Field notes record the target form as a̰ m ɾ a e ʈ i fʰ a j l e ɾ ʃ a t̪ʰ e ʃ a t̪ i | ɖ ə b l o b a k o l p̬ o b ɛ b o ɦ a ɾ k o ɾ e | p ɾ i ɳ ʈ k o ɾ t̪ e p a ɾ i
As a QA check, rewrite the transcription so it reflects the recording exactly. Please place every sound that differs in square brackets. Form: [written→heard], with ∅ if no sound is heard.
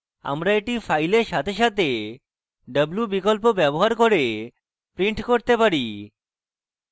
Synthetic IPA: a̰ m ɾ a e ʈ i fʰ a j l e ɾ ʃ a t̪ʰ e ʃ a t̪ [i→e] | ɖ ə b l [o→u] b [a→i] k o l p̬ o b ɛ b o ɦ a ɾ k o ɾ e | p ɾ i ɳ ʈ k o ɾ t̪ e p a ɾ i

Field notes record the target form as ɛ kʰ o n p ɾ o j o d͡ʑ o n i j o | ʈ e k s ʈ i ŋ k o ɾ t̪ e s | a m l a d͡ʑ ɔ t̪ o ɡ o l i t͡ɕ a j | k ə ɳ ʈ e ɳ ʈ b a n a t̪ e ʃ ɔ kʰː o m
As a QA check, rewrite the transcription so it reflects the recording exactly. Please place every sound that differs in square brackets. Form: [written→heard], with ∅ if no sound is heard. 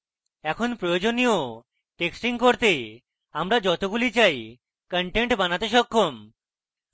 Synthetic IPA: ɛ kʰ o n p ɾ o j o d͡ʑ o n i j o | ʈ e k s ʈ i ŋ k o ɾ t̪ e [s→∅] | a m [l→ɾ] a d͡ʑ ɔ t̪ o ɡ [o→u] l i t͡ɕ a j | k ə ɳ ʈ e ɳ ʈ b a n a t̪ e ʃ ɔ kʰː o m

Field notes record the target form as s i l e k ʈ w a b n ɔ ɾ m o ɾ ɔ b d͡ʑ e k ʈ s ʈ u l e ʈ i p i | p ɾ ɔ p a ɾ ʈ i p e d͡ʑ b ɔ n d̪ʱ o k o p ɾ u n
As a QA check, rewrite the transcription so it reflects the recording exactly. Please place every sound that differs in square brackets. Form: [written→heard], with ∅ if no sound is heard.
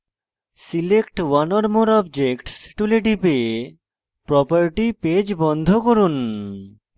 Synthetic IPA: s i l e k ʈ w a [b→∅] n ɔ ɾ m o ɾ ɔ b d͡ʑ e k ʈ s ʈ u l e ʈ i p [i→e] | p ɾ ɔ p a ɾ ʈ i p e d͡ʑ b ɔ n d̪ʱ o k o [p→∅] ɾ u n

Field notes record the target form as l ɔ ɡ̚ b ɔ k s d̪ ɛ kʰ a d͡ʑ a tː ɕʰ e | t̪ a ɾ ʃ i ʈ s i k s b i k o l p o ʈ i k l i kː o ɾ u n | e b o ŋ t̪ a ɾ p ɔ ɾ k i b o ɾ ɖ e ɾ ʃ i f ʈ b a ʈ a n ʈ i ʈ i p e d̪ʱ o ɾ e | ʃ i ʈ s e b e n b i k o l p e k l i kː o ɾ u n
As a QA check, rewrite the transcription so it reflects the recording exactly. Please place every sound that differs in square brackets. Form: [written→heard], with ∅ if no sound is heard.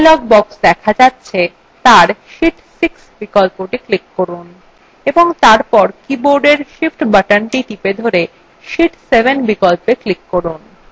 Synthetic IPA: l ɔ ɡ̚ b ɔ k s d̪ ɛ kʰ a d͡ʑ a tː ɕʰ e | t̪ a ɾ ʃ i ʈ s i k s b i k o l p o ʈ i k l i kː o ɾ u n | e b o ŋ t̪ a ɾ p ɔ ɾ k i b o ɾ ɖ e ɾ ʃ i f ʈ b a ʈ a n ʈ i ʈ i p e d̪ʱ o ɾ e | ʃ i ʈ s e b e n b i k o l p e k l i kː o ɾ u n

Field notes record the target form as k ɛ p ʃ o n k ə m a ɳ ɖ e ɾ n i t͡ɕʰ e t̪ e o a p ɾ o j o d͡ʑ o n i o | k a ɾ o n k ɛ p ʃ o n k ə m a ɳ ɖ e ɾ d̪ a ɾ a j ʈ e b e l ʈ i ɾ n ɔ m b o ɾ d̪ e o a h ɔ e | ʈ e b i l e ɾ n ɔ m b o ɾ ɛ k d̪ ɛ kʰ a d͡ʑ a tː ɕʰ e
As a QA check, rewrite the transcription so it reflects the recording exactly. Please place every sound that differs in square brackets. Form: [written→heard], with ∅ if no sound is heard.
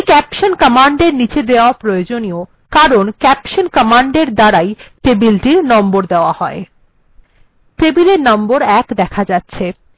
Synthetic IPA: k ɛ p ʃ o n k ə m a ɳ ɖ e ɾ n i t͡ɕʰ e [t̪→d̪] e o a p ɾ o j o d͡ʑ o n i o | k a ɾ o n k ɛ p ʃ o n k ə m a ɳ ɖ e ɾ d̪ a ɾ a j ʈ e b [e→i] l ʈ i ɾ n ɔ m b o ɾ d̪ e o a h ɔ e | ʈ e b i l e ɾ n ɔ m b o ɾ ɛ k d̪ ɛ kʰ a d͡ʑ a tː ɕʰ e

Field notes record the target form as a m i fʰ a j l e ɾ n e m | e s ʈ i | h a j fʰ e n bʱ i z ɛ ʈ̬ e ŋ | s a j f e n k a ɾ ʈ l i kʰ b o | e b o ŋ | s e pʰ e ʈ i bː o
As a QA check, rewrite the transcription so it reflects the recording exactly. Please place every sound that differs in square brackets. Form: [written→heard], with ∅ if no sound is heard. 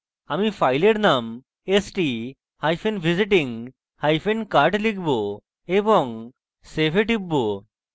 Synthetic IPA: a m i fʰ a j l e ɾ n [e→a] m | e s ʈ i | h a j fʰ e n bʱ i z [ɛ→i] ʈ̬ [e→i] ŋ | [s→h] a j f e n k a ɾ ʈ l i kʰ b o | e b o ŋ | s e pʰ e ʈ i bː o

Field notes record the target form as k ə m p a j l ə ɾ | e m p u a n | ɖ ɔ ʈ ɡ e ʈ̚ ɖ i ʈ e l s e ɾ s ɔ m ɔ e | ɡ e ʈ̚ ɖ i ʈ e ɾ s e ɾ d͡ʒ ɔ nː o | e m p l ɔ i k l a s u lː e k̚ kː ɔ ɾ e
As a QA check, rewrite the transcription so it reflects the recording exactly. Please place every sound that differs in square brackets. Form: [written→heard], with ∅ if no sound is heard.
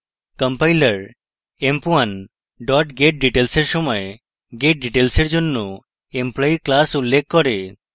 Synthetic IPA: k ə m p a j l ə ɾ | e m p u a n | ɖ ɔ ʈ ɡ e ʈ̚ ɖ i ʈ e l s e ɾ s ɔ m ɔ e | ɡ e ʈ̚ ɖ i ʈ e [ɾ→l] s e ɾ d͡ʒ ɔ nː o | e m p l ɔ i k l a s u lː e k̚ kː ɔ ɾ e

